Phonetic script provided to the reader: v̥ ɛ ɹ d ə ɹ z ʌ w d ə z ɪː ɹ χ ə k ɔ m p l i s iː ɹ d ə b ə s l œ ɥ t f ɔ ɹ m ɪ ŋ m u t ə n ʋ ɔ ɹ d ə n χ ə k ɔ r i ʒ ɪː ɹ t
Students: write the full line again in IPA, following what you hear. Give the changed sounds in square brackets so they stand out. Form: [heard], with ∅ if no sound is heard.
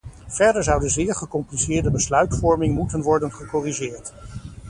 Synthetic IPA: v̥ ɛ ɹ d ə ɹ z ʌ w d ə z ɪː ɹ χ ə k ɔ m p l i s [ɪː] ɹ d ə b ə s l œ ɥ t f ɔ ɹ m ɪ ŋ m u t ə n ʋ ɔ ɹ d ə n χ ə k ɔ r i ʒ ɪː ɹ t